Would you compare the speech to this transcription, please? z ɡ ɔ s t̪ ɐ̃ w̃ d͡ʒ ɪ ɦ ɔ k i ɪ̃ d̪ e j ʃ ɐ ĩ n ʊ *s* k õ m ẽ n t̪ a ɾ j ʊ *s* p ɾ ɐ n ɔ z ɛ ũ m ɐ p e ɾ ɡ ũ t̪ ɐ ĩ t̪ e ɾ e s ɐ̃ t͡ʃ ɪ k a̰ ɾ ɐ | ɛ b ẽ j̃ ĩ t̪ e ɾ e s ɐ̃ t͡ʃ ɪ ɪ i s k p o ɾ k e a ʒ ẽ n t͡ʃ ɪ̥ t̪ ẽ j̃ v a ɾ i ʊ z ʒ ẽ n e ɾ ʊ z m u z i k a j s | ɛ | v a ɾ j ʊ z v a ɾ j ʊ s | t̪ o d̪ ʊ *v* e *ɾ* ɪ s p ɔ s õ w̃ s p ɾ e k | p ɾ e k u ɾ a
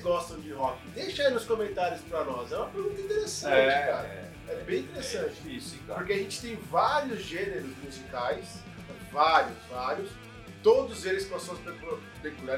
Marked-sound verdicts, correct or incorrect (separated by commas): correct, correct, incorrect, incorrect